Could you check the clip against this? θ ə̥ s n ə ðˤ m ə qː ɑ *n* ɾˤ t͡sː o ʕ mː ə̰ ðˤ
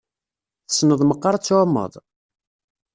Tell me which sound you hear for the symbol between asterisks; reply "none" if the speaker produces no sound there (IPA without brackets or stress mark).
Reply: none